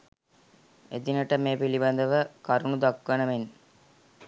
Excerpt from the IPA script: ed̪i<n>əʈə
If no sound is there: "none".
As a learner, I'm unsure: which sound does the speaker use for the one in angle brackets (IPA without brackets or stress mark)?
n